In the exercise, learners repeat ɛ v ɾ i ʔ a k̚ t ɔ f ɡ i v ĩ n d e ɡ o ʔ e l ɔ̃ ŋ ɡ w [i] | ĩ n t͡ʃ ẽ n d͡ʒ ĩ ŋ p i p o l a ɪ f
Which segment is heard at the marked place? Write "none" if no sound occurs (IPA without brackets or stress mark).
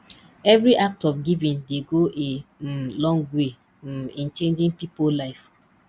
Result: e